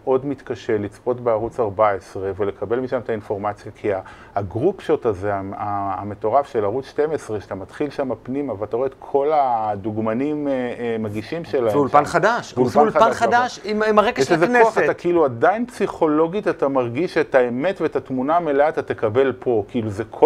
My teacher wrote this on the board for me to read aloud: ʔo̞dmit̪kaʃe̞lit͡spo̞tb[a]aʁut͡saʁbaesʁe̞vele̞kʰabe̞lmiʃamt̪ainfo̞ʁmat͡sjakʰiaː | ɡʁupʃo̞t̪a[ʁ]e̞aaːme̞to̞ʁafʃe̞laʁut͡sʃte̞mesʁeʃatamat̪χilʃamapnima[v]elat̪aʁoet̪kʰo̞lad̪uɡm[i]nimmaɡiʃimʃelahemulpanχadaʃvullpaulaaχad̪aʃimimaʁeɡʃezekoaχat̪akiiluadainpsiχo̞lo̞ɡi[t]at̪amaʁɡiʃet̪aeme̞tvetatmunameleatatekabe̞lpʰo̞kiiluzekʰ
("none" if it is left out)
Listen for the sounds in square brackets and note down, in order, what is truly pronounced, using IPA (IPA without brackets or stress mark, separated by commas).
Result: e, z, v, a, t